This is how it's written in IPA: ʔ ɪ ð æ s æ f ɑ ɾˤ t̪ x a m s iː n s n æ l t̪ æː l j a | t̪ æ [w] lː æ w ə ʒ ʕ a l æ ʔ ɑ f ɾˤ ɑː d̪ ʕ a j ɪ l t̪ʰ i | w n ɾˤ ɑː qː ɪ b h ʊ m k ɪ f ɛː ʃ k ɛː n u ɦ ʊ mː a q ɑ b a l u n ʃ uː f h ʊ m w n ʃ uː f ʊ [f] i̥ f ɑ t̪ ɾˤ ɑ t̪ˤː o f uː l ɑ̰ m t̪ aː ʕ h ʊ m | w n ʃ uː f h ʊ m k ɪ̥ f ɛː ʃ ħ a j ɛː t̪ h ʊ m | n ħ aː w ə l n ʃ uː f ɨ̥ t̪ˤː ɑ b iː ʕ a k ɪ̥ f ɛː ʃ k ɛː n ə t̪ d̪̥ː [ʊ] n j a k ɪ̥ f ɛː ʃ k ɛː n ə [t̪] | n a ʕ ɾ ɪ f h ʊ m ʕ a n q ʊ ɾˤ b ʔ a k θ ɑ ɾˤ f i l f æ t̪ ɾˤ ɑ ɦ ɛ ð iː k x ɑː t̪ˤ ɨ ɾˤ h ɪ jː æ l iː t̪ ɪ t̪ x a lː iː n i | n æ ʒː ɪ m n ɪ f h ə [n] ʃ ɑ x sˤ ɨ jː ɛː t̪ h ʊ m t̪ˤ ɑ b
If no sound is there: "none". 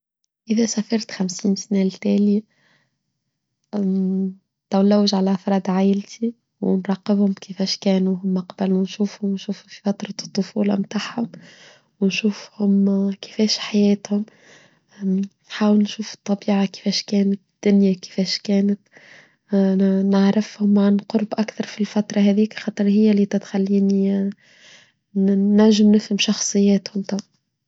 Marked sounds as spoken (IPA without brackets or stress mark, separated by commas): w, f, ʊ, t̪, m